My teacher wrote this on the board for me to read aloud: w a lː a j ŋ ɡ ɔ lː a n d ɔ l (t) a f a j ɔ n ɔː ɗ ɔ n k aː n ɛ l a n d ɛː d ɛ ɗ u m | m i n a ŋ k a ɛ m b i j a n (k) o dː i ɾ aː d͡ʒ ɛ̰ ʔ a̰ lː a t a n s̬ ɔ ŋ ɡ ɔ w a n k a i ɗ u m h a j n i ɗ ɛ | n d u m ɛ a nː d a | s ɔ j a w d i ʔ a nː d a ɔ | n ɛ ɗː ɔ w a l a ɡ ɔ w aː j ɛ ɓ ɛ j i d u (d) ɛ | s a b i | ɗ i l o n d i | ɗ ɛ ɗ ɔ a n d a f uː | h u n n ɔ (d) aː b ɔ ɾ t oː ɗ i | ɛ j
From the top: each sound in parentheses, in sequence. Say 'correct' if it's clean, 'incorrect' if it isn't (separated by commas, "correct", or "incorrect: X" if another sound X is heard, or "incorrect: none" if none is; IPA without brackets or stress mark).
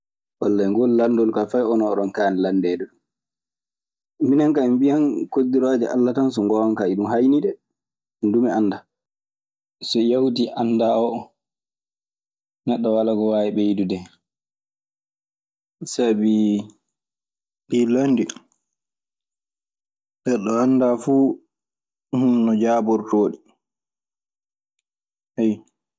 incorrect: k, correct, correct, incorrect: d͡ʒ